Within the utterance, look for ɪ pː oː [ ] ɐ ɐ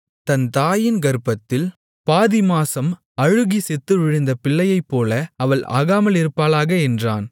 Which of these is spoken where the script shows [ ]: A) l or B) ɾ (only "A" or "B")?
A